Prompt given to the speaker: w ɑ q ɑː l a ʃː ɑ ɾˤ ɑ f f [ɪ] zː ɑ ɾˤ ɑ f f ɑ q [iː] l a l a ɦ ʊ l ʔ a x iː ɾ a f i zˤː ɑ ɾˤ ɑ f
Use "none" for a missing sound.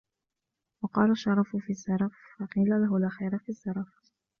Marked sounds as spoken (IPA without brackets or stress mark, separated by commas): i, iː